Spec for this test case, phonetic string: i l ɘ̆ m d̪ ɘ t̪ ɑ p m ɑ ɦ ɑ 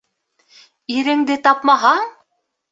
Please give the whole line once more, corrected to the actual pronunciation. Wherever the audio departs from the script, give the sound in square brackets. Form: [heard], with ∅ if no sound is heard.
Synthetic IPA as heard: i [ɾ] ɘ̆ [ŋ] d̪ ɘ t̪ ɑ p m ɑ ɦ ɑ